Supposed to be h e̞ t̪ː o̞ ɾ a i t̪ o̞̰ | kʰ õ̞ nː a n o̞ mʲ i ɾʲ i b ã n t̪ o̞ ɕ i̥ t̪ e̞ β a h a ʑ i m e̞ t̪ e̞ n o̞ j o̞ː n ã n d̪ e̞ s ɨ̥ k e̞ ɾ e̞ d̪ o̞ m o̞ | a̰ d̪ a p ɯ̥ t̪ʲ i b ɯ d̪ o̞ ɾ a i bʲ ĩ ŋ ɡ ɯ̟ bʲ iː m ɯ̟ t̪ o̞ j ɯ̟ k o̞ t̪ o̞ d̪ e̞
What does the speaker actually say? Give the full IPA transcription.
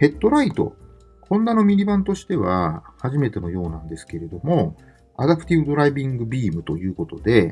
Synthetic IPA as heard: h e̞ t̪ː o̞ ɾ a i t̪ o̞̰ | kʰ õ̞ nː a n o̞ mʲ i ɾʲ i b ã n t̪ o̞ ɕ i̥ t̪ e̞ β a h a ʑ i m e̞ t̪ e̞ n o̞ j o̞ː n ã n d̪ e̞ s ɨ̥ k e̞ ɾ e̞ d̪ o̞ m o̞ | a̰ d̪ a p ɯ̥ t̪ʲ i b ɯ d̪ o̞ ɾ a i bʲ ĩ ŋ ɡ ɯ̟ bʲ iː m ɯ̟ t̪ o̞ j ɯ̟ː k o̞ t̪ o̞ d̪ e̞